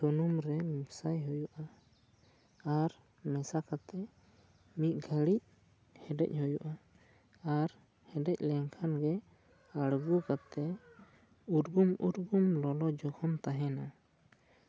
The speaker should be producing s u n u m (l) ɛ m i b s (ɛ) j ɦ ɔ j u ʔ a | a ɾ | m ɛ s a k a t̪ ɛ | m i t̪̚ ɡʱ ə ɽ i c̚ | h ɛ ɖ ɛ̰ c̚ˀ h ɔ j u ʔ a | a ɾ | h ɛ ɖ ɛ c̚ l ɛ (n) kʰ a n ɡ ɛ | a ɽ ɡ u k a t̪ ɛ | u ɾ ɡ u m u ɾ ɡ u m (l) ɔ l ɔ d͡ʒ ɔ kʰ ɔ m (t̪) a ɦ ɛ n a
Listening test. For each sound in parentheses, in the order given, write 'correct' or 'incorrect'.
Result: incorrect: ɾ, incorrect: a, incorrect: ŋ, correct, correct

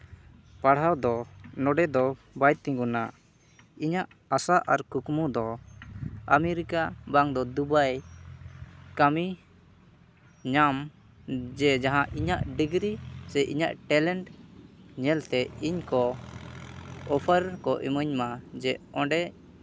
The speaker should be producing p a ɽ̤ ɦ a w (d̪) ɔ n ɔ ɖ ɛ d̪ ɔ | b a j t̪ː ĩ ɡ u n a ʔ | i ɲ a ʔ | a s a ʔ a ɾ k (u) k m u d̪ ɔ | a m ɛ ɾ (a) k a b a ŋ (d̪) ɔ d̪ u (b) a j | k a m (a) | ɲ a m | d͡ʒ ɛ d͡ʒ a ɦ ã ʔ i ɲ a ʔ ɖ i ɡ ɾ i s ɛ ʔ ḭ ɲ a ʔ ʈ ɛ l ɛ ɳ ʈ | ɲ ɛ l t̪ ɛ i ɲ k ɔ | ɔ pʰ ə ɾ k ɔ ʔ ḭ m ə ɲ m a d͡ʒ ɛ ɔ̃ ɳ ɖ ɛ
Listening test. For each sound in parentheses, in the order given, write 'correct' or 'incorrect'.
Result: correct, correct, incorrect: i, correct, correct, incorrect: i

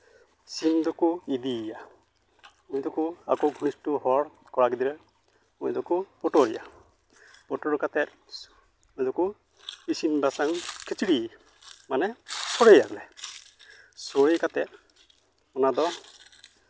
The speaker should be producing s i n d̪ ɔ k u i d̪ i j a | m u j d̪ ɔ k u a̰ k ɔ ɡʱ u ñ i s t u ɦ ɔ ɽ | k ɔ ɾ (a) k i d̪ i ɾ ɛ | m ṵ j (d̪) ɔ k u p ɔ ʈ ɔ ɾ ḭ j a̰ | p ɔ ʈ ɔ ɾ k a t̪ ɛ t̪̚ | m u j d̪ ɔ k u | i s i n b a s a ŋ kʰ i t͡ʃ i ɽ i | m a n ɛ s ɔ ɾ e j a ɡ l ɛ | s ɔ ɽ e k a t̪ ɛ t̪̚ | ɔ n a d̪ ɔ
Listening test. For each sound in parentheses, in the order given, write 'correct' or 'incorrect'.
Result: correct, correct

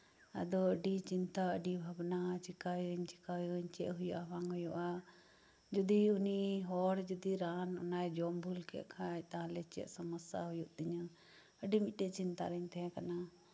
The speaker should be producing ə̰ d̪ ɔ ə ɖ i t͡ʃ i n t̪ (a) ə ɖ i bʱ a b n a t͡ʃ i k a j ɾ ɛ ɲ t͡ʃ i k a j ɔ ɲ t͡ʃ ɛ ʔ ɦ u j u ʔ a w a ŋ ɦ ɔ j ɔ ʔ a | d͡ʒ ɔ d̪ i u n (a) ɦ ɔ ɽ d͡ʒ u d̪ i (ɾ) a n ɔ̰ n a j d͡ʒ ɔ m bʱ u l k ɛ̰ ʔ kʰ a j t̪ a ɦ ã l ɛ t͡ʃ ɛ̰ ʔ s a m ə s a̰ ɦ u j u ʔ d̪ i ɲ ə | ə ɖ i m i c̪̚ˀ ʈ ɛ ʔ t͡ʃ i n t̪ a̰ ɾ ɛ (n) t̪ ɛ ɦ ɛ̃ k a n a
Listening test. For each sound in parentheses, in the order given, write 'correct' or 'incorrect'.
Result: correct, incorrect: i, correct, incorrect: ɲ

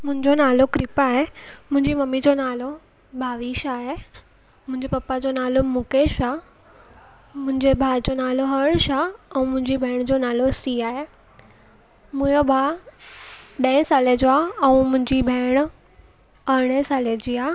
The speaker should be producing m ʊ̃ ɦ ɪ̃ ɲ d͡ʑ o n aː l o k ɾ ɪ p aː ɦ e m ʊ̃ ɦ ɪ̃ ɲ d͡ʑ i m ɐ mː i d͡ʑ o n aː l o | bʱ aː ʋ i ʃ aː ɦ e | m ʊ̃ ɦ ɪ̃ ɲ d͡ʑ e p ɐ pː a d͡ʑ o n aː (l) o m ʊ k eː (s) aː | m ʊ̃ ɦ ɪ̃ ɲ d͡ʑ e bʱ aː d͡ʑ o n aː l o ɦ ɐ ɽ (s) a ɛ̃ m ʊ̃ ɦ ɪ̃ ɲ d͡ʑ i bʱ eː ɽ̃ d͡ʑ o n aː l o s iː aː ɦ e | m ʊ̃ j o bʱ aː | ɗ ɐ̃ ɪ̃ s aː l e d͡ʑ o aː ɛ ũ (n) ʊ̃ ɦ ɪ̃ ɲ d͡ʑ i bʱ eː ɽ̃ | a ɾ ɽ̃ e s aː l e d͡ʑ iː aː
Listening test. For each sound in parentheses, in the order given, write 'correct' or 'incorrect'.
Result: correct, incorrect: ʃ, incorrect: ʃ, incorrect: m

